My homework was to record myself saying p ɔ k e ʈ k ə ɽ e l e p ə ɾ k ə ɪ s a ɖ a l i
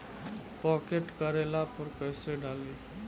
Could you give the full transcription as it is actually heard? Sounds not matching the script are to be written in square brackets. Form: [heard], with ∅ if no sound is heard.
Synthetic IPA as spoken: p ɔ k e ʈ k ə [ɾ] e l [a] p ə ɾ k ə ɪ s [e] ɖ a l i

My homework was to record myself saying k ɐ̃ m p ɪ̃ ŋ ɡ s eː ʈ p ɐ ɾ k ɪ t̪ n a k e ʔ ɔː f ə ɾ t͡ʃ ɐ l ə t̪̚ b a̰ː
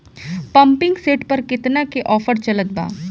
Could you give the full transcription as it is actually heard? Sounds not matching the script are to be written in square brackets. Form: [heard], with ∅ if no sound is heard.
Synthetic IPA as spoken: [p] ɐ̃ m p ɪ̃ ŋ ɡ s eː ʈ p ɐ ɾ k ɪ t̪ n a k e ʔ ɔː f ə ɾ t͡ʃ ɐ l ə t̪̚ b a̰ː

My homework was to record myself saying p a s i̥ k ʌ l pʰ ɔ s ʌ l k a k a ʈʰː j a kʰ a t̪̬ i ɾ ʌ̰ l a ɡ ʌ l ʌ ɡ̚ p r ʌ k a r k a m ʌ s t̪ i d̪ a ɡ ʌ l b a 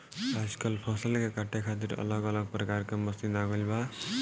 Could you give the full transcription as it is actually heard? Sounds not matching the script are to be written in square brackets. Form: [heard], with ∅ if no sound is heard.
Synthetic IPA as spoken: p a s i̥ k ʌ l pʰ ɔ s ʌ l k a k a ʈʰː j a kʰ a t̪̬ i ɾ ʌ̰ l [ʌ] ɡ ʌ l ʌ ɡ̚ p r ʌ k a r k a m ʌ s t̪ i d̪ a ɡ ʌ l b a

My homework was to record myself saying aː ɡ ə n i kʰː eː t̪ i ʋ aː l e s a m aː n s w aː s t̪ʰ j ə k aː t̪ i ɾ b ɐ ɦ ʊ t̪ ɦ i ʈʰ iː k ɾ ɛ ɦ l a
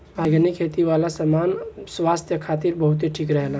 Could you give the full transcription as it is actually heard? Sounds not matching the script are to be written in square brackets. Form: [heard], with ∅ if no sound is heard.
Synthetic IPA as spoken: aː ɡ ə n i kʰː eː t̪ i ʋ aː l [a] s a m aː n s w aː s t̪ʰ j ə [kʰ] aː t̪ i ɾ b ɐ ɦ ʊ t̪ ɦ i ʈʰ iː k ɾ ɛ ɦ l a

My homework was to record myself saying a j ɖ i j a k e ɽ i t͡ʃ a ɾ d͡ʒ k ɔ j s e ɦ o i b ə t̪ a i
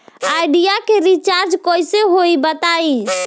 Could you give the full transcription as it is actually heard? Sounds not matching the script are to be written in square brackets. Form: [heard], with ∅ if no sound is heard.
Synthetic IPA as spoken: a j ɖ i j a k e [ɾ] i t͡ʃ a ɾ d͡ʒ k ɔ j s e ɦ o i b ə t̪ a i

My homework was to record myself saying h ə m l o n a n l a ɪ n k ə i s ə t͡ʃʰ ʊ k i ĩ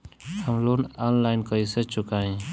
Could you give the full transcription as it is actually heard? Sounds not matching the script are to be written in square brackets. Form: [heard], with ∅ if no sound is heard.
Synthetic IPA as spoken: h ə m l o n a n l a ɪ n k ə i s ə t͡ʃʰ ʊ k [a] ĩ

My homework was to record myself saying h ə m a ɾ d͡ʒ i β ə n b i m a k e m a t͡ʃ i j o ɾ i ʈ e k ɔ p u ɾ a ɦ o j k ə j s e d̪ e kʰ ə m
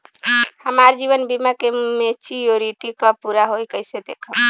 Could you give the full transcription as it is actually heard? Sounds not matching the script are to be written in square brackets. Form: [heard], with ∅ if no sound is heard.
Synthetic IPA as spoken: h ə m a ɾ d͡ʒ i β ə n b i m a k e m [e] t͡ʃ i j o ɾ i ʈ [i] k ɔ p u ɾ a ɦ o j k ə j s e d̪ e kʰ ə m

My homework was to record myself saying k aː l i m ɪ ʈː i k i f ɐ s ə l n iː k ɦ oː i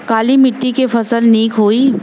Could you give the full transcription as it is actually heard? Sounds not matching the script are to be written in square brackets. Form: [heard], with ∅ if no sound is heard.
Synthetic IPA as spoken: k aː l i m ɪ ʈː i k [e] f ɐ s ə l n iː k ɦ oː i

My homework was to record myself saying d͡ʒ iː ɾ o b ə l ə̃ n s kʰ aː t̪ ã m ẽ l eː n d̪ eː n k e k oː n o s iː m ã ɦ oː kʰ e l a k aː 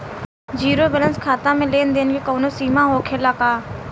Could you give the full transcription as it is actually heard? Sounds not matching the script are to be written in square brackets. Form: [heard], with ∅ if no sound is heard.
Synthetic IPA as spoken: d͡ʒ iː ɾ o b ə l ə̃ n s kʰ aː t̪ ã m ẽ l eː n d̪ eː n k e k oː n o s iː m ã ɦ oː kʰ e l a k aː

